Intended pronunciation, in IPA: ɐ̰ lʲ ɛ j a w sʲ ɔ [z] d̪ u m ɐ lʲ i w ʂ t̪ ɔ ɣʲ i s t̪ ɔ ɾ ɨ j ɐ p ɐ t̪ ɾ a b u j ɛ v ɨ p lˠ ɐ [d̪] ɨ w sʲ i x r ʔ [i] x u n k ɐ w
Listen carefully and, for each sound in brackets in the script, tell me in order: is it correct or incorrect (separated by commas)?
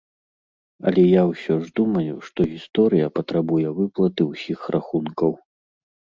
incorrect, incorrect, incorrect